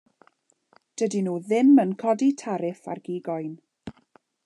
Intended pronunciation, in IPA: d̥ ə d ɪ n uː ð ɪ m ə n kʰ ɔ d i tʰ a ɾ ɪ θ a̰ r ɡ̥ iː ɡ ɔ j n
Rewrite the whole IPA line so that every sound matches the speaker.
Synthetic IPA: d̥ ə d i n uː ð ɪ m ə n kʰ ɔ d i tʰ a ɾ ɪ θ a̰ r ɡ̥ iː ɡ ɔ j n